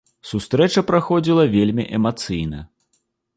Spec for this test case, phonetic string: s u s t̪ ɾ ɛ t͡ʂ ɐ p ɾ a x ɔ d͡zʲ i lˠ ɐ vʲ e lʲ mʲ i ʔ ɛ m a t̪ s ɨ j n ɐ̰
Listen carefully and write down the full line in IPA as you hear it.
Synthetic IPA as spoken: s u s t̪ ɾ ɛ t͡ʂ ɐ p ɾ a x ɔ d͡zʲ i lˠ ɐ vʲ e lʲ mʲ i ʔ ɛ m a t̪ s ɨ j n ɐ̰